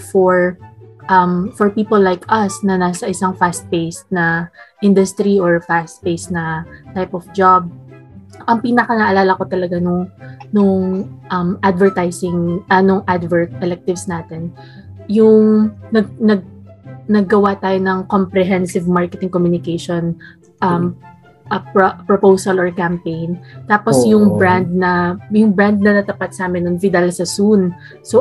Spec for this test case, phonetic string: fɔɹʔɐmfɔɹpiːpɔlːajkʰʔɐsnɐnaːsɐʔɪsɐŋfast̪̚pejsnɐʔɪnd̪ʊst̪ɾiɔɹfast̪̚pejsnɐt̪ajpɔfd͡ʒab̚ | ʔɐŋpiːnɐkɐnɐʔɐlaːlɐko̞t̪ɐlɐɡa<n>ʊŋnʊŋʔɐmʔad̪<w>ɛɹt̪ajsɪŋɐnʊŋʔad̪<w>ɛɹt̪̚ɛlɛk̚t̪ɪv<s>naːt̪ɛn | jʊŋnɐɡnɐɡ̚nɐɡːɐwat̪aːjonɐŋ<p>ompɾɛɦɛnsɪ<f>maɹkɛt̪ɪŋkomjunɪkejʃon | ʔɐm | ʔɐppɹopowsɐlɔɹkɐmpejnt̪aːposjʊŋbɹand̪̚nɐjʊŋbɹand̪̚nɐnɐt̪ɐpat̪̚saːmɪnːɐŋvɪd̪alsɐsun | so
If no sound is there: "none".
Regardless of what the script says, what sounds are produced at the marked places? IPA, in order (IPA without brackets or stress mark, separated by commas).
n, v, v, s, k, v